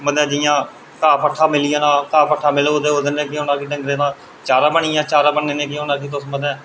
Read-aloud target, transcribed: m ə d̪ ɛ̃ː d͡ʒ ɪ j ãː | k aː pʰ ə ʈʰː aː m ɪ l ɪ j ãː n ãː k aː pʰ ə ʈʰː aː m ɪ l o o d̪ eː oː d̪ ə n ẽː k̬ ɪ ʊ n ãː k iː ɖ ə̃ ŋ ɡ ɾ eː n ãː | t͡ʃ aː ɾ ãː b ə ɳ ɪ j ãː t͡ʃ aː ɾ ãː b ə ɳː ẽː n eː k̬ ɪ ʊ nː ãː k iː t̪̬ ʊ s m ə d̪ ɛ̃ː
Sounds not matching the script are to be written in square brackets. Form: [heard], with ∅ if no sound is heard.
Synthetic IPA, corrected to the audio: m ə d̪ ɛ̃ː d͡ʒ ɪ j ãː | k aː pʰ ə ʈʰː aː m ɪ l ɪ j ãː n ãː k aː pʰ ə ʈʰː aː m ɪ l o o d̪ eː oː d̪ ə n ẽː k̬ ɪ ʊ n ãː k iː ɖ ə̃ ŋ ɡ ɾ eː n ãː | t͡ʃ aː ɾ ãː b ə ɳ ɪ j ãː t͡ʃ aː ɾ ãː b ə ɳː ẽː n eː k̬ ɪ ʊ [n] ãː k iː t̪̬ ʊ s m ə d̪ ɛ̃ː